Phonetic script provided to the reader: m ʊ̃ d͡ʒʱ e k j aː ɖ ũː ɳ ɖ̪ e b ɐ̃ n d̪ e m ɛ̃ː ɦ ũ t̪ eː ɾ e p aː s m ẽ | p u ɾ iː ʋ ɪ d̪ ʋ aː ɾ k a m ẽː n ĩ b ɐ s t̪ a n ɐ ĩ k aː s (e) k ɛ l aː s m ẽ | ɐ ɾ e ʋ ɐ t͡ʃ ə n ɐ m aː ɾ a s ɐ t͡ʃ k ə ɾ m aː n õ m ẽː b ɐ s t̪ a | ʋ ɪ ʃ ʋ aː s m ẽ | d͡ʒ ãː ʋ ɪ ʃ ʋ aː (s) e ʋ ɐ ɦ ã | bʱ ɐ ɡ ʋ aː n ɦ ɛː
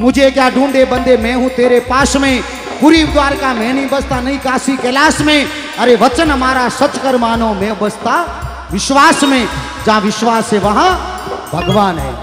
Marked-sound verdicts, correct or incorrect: incorrect: i, correct

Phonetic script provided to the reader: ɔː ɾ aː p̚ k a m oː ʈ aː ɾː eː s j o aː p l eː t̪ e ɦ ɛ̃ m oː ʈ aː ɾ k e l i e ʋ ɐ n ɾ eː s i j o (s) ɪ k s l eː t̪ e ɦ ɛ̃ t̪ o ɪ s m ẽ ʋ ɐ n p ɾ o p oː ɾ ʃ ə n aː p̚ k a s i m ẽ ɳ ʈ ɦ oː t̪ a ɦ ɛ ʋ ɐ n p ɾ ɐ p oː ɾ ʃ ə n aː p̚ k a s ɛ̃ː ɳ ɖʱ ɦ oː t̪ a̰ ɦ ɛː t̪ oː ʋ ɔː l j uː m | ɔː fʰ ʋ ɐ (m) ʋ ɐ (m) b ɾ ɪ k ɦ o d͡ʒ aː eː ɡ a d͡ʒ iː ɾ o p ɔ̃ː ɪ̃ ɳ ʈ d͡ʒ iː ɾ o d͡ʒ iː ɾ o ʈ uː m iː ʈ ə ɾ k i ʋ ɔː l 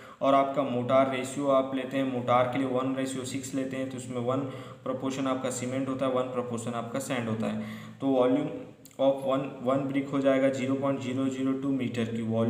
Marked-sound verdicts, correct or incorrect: correct, incorrect: n, incorrect: n

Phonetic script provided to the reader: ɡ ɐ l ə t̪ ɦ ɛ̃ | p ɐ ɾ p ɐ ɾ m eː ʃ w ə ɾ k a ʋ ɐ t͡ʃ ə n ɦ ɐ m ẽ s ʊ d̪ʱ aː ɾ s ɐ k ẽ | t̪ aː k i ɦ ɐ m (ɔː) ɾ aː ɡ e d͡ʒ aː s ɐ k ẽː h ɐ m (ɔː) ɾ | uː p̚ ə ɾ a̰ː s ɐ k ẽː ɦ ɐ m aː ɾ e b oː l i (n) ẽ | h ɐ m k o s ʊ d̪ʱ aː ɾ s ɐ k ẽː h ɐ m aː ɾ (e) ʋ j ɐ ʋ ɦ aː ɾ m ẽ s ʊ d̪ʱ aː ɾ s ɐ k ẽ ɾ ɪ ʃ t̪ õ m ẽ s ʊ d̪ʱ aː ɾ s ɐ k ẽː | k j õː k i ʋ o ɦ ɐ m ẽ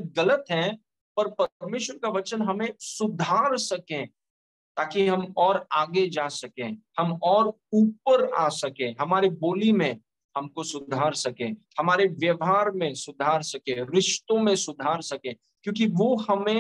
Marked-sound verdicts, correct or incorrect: correct, correct, incorrect: m, correct

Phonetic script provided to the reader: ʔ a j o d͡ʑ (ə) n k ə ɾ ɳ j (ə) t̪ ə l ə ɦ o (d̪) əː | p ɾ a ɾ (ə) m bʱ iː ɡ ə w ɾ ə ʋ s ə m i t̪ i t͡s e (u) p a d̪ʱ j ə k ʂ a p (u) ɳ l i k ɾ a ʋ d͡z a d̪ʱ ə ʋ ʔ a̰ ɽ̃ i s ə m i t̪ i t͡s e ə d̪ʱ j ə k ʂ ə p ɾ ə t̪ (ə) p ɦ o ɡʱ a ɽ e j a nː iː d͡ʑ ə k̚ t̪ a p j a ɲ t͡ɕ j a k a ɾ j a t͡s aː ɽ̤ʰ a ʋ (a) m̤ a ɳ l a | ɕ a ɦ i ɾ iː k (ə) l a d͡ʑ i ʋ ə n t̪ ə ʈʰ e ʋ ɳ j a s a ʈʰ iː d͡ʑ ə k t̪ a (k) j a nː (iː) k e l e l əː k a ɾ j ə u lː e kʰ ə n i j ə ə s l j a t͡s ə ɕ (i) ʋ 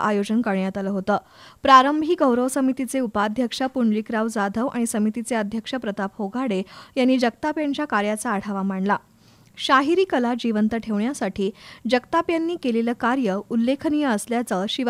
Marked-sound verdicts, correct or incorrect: correct, incorrect: a, incorrect: t̪, correct, correct, correct, incorrect: a, correct, correct, incorrect: p, correct, correct

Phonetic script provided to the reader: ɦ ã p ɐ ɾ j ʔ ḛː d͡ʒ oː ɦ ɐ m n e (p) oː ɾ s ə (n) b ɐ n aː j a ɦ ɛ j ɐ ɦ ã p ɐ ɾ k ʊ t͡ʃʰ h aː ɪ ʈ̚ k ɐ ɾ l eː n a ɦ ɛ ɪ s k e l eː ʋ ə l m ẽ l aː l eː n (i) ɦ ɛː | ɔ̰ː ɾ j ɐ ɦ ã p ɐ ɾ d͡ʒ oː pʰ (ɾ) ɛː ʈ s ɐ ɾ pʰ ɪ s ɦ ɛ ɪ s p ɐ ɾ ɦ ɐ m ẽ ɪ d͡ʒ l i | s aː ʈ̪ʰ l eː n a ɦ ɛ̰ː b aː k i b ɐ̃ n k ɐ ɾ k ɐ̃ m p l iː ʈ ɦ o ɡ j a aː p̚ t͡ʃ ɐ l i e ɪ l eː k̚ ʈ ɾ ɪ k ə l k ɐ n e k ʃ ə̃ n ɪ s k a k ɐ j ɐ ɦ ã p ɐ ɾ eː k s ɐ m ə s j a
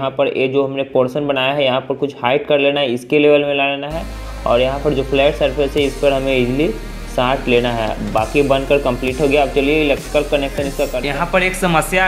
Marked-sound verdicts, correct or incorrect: correct, correct, incorrect: a, incorrect: l

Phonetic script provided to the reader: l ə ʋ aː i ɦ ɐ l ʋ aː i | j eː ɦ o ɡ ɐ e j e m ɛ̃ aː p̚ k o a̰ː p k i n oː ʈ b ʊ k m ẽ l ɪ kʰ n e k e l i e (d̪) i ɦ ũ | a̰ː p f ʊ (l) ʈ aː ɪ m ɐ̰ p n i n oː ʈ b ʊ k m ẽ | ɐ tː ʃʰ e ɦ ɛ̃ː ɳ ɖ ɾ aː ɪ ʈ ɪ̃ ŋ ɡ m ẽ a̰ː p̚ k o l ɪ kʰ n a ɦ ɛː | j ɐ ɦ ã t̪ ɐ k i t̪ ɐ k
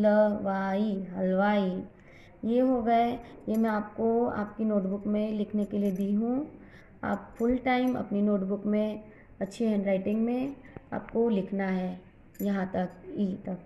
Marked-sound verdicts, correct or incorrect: correct, correct

